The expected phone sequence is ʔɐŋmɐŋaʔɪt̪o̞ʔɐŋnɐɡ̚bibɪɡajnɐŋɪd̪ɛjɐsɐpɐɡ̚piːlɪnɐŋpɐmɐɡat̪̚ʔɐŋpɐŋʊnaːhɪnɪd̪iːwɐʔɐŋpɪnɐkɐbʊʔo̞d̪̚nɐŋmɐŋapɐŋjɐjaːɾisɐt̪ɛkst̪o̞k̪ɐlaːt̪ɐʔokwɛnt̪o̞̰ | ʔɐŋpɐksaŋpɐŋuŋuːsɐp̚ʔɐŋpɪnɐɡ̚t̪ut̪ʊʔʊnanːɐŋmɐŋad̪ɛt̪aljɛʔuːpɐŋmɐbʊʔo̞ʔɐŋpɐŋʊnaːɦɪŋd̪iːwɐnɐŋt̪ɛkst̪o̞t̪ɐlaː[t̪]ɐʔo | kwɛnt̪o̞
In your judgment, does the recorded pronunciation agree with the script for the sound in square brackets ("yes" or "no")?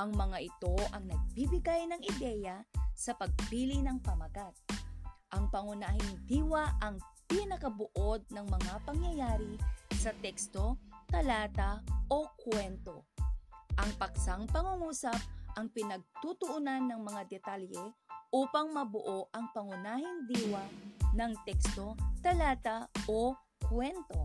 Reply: yes